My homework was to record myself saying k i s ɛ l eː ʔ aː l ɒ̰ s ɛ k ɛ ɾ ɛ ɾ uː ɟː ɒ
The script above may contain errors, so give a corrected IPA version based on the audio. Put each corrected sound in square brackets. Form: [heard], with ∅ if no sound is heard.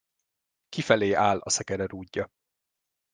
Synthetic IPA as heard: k i [f] ɛ l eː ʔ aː l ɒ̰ s ɛ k ɛ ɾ ɛ ɾ uː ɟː ɒ